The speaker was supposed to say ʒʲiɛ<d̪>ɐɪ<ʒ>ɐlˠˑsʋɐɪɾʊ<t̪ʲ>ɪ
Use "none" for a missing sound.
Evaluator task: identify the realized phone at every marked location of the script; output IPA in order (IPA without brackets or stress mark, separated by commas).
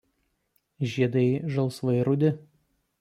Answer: d̪, ʒ, d̪ʲ